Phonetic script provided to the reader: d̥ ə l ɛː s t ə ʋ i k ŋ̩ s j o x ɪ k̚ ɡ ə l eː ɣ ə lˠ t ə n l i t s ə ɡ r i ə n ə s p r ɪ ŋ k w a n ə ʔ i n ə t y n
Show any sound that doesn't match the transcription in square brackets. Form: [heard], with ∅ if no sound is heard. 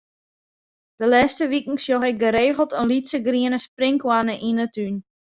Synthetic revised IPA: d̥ ə l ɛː s t ə ʋ i k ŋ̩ s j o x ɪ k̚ ɡ ə [ɾ] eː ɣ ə lˠ t ə n l i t s ə ɡ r i ə n ə s p r ɪ ŋ k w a n ə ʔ i n ə t y n